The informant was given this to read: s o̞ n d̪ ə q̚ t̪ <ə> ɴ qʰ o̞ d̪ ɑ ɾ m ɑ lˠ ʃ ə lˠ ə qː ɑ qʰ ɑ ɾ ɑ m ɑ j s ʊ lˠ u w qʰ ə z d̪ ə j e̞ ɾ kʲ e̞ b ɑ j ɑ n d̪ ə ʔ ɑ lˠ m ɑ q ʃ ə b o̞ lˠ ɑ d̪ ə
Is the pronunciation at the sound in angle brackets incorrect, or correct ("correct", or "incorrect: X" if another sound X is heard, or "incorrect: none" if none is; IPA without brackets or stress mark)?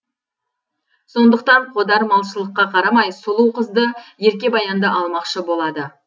incorrect: ɑ